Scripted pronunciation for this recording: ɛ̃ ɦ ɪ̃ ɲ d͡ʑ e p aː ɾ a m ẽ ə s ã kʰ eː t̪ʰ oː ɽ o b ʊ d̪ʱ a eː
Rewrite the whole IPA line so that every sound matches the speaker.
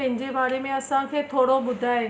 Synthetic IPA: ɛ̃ ɦ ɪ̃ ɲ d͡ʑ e b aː ɾ e m ẽ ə s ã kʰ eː t̪ʰ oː ɽ o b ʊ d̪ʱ a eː